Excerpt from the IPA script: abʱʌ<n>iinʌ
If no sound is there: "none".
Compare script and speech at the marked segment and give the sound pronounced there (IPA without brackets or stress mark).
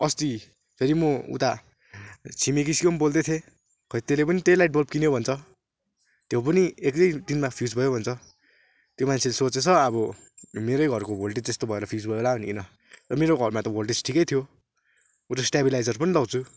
n